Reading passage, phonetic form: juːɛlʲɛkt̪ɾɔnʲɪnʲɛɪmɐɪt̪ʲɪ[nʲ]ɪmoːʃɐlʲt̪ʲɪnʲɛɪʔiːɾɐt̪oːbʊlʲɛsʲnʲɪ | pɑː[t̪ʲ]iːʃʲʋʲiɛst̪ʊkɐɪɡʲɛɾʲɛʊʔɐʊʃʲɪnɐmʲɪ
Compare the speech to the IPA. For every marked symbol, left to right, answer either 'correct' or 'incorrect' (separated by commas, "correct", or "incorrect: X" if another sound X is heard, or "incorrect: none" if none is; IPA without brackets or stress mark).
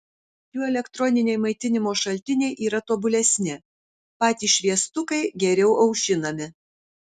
correct, correct